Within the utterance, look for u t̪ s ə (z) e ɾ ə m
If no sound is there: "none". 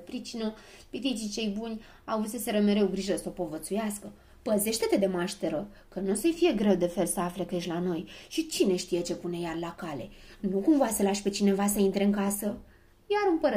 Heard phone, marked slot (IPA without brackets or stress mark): s